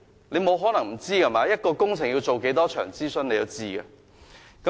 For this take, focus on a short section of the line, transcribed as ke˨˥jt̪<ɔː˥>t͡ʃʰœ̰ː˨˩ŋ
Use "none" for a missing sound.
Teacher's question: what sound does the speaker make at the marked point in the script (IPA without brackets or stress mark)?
ɔː˥